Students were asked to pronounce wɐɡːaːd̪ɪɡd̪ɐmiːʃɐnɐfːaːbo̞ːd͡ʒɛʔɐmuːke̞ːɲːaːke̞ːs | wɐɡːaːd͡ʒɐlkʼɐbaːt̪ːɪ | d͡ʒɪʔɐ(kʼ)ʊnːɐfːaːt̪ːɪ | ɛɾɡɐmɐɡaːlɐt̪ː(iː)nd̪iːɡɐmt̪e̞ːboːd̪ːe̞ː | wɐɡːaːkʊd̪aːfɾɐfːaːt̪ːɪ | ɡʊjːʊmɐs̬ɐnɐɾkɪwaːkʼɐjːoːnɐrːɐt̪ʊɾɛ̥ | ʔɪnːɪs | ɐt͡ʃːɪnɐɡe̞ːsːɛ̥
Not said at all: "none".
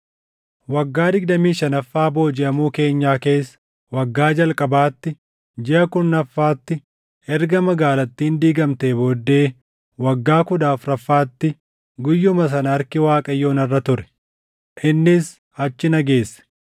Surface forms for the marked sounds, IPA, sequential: k, iː

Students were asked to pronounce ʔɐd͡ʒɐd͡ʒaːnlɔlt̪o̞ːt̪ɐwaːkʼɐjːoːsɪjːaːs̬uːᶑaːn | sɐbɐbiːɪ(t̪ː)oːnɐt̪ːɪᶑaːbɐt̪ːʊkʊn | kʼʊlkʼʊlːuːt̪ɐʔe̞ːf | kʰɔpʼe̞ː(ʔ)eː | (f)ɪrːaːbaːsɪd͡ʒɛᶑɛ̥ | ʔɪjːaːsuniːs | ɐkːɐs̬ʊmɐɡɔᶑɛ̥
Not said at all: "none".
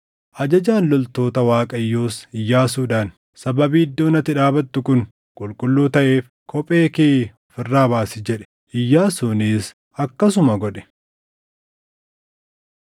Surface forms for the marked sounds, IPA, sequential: d̪ː, k, f

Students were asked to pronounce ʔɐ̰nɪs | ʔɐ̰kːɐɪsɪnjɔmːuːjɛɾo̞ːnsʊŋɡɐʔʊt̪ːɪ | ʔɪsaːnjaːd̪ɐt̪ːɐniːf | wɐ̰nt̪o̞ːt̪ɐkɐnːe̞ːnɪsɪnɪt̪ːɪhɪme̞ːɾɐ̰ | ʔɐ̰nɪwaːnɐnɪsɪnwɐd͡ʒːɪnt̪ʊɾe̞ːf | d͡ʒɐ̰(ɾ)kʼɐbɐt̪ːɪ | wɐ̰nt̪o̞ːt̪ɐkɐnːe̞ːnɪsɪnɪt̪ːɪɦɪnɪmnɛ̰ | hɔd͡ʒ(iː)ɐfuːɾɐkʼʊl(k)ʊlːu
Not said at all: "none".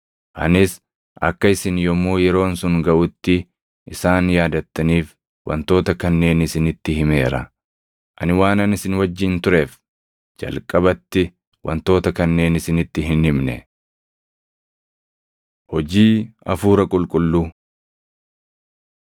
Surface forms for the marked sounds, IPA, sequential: l, iː, kʼ

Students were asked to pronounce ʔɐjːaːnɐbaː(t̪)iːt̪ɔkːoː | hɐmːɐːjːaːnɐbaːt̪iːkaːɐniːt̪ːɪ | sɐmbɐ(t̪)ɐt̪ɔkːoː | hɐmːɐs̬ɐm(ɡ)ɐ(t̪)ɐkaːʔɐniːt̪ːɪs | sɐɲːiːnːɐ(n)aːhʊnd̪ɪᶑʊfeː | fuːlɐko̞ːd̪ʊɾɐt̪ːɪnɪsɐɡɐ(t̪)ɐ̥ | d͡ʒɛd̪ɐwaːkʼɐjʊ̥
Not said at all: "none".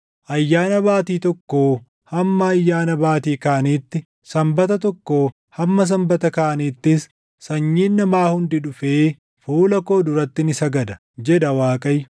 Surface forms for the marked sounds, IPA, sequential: t̪, t̪, b, t̪, m, d̪

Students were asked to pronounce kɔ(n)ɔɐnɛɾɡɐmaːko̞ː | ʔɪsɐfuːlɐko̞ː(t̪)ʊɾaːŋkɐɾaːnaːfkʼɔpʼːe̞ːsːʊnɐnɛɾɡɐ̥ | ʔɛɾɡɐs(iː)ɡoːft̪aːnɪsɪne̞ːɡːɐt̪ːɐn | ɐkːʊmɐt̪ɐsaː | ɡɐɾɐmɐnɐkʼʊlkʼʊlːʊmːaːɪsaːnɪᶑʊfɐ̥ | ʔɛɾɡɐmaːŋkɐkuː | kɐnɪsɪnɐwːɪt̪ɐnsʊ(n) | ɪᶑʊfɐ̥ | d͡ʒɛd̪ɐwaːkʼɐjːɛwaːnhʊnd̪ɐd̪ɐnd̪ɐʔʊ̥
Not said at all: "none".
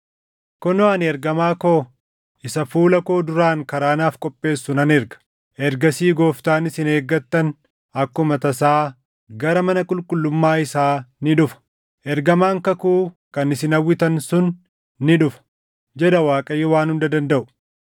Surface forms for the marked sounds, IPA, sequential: n, d̪, iː, nː

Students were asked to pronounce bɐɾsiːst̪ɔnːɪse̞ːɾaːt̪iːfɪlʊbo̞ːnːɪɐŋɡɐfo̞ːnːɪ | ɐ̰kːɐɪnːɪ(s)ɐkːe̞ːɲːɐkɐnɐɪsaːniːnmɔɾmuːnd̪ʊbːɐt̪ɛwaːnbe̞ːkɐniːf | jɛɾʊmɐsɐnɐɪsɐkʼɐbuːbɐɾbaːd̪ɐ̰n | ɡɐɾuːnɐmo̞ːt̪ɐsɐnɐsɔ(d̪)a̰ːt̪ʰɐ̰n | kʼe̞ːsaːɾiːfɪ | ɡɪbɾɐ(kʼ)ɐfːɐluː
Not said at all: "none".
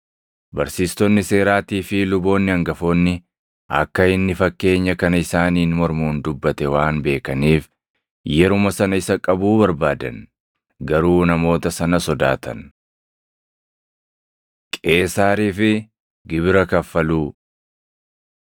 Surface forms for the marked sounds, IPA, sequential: f, d̪, k

